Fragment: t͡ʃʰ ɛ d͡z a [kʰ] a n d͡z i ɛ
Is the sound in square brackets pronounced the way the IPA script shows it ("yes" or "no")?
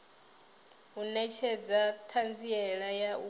no